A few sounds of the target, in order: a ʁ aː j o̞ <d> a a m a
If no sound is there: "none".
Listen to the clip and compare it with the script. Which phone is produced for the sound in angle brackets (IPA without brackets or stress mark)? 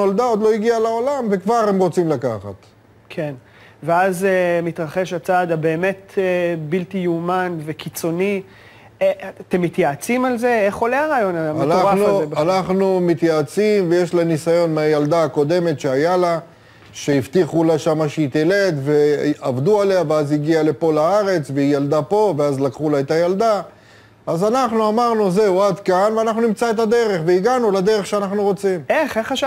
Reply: n